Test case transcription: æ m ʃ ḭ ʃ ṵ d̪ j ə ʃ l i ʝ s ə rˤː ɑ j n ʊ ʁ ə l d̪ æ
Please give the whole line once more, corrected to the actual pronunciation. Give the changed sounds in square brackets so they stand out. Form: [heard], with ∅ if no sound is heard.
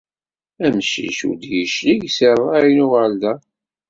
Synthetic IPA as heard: æ m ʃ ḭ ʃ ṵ d̪ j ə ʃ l i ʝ s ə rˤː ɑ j n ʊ ʁ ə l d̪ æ